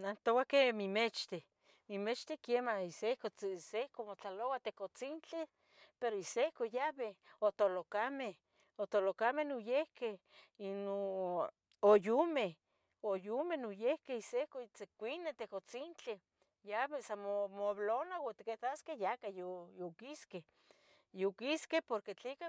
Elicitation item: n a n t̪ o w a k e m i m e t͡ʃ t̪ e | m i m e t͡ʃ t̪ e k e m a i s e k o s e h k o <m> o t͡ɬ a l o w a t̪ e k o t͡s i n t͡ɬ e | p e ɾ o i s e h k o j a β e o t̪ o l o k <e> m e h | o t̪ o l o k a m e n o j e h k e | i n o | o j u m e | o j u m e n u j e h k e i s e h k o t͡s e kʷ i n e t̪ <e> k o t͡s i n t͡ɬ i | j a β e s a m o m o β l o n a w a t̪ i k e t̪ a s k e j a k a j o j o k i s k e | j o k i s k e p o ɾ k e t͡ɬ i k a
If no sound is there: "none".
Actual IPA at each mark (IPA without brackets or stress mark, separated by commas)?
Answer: m, a, e